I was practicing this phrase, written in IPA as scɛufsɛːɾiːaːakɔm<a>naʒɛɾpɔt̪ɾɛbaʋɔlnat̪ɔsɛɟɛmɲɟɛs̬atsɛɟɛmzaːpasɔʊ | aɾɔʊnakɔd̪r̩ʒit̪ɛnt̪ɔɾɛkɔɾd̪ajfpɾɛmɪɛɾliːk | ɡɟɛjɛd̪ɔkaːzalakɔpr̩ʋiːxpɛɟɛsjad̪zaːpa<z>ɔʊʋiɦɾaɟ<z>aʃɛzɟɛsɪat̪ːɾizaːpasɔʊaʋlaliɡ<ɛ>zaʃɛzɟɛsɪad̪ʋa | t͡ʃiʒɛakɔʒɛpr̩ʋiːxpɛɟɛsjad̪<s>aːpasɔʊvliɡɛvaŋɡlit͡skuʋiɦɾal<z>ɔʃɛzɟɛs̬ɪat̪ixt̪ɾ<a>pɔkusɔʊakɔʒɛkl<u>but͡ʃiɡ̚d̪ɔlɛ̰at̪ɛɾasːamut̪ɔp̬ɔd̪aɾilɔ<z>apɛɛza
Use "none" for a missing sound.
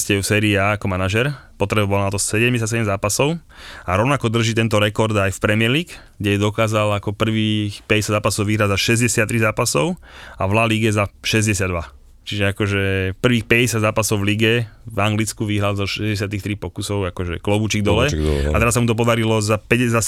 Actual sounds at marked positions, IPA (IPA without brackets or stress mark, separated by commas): a, s, z, ɛ, z, z, i, ɔ, z